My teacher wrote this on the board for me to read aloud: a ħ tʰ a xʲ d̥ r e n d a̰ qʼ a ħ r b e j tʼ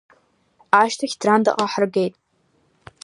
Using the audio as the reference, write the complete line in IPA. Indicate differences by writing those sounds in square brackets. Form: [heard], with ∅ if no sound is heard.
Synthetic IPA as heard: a [ʃ] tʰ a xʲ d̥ r [a] n d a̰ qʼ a ħ r [ɡ] e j tʼ

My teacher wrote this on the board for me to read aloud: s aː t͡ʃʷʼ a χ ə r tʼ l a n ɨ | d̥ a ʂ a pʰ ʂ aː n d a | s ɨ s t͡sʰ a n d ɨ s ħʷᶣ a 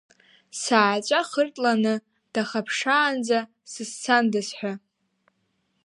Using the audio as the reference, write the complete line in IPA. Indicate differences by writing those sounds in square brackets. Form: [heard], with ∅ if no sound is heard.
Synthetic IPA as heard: s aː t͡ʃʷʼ a χ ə r tʼ l a n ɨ | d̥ a [χ] a pʰ ʂ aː n [d͡z] a | s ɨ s t͡sʰ a n d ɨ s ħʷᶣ a

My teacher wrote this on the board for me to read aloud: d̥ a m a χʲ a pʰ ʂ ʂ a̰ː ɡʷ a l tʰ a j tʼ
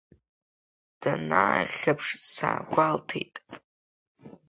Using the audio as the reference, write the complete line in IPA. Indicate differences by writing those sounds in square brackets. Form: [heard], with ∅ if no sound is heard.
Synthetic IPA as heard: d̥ a [n] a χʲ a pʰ ʂ [s] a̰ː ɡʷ a l tʰ [e] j tʼ

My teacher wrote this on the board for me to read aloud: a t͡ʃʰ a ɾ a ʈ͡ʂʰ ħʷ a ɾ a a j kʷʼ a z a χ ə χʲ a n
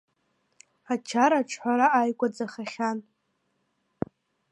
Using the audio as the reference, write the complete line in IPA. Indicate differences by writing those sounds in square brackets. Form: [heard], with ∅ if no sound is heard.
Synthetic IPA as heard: a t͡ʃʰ a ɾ a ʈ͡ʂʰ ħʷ a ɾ a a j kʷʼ a [d͡z] a χ [a] χʲ a n

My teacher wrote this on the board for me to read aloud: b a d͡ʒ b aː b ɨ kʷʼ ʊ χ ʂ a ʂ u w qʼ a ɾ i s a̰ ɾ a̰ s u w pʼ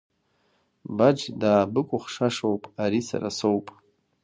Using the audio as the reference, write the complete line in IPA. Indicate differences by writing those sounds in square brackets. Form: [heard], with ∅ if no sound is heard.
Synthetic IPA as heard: b a d͡ʒ [d] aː b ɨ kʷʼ ʊ χ ʂ a ʂ [o] w [pʼ] a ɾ i s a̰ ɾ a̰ s [o] w pʼ

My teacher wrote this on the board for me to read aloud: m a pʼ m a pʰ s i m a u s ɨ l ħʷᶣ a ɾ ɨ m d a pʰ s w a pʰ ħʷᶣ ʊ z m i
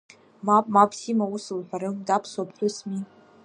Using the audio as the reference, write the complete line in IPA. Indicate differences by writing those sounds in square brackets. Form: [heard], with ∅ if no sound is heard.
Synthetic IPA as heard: m a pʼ m a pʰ s i m a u s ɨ l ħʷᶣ a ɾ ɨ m d a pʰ s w a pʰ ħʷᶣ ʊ [s] m i

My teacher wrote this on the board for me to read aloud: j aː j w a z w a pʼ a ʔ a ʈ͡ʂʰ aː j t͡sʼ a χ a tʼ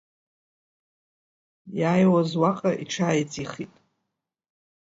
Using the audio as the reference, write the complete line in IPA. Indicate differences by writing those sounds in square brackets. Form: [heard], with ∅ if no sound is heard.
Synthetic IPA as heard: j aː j w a z w a [qʼ] a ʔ [i] ʈ͡ʂʰ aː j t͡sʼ [i] χ [i] tʼ

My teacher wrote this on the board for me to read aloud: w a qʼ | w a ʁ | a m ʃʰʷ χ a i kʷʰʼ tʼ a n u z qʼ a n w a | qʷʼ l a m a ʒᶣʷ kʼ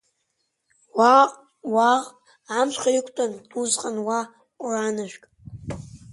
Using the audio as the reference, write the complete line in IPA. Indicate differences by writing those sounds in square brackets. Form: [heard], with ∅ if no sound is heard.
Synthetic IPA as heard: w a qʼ | w a ʁ | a m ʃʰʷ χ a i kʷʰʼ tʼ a n u z qʼ a n w a | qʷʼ [r] a [n] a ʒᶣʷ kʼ

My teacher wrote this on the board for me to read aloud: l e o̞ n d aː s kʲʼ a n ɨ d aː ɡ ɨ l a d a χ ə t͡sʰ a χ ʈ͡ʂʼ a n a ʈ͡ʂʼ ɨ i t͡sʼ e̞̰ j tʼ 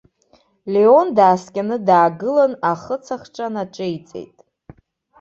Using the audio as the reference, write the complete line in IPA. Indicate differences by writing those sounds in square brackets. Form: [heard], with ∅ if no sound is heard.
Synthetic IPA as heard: l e o̞ n d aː s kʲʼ a n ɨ d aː ɡ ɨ l a [n] a χ ə t͡sʰ a χ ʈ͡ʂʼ a n a ʈ͡ʂʼ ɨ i t͡sʼ e̞̰ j tʼ

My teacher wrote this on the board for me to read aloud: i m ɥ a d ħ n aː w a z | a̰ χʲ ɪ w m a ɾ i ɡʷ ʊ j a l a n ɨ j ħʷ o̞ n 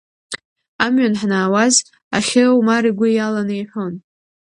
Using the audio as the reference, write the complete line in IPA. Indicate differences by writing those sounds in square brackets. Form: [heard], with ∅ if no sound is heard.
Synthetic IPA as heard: [a] m ɥ a [n] ħ n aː w a z | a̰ χʲ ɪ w m a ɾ i ɡʷ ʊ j a l a n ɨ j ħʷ o̞ n

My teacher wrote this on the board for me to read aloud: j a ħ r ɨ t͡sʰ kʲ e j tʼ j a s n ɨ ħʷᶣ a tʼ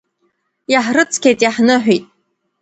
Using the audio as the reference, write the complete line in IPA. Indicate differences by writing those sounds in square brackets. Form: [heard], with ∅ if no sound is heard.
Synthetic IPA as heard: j a ħ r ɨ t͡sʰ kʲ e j tʼ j a [ħ] n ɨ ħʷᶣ [i] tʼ

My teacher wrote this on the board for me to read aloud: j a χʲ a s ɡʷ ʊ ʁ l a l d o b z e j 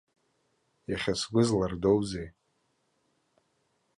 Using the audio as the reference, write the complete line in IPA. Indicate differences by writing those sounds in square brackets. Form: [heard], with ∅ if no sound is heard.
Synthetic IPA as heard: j a χʲ a s ɡʷ ʊ [z] l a [r] d o [w] z e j

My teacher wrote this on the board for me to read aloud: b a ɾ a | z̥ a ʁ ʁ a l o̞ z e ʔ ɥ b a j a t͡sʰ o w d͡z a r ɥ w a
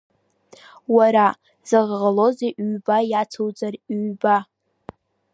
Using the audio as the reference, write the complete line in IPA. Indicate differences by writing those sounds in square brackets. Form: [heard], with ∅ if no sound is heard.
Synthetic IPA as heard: [w] a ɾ a | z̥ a ʁ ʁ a l o̞ z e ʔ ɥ b a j a t͡sʰ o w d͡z a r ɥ [b] a

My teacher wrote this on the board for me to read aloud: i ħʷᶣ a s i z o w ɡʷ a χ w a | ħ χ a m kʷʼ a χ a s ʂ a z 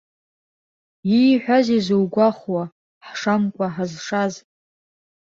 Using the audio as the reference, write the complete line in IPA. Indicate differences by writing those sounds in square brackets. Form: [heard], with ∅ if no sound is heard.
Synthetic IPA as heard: i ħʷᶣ a [z] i z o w ɡʷ a χ w a | ħ [ʂ] a m kʷʼ a [ħ] a [z] ʂ a z

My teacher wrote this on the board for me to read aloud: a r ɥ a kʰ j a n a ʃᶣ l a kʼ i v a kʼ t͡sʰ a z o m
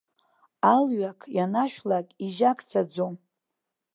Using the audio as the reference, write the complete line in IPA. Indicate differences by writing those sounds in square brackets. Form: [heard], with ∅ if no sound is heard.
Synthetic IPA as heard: a [l] ɥ a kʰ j a n a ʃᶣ l a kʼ i [ʒ] a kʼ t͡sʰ a [d͡z] o m

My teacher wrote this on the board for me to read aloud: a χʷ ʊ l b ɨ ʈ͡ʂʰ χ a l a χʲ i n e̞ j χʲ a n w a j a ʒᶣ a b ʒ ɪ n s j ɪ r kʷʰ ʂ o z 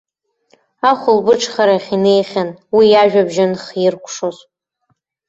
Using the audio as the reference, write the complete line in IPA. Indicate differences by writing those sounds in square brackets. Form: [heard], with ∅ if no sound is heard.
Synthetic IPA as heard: a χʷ ʊ l b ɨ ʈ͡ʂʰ χ a [ɾ] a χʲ i n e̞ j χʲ a n w [i] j a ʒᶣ a b ʒ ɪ n [χ] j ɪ r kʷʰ ʂ o z

